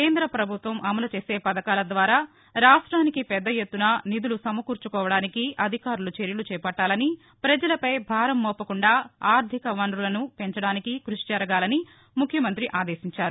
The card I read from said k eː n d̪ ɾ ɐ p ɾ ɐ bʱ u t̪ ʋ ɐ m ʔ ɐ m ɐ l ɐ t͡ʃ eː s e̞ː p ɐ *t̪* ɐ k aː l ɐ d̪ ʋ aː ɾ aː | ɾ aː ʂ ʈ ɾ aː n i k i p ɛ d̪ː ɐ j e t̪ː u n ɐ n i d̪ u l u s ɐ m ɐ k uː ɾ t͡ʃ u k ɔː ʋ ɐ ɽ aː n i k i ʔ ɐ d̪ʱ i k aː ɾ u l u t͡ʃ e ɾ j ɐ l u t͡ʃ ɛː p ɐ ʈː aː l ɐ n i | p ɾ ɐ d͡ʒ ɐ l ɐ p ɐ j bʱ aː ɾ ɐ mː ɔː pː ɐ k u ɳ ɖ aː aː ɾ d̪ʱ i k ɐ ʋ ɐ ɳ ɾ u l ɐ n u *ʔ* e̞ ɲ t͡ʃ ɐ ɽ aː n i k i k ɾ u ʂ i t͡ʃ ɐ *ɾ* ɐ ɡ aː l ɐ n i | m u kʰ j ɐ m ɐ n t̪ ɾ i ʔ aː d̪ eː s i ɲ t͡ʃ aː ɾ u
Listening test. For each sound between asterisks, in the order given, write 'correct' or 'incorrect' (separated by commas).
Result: incorrect, incorrect, correct